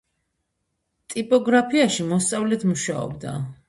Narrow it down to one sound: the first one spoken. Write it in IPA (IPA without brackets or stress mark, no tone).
t̪ʼ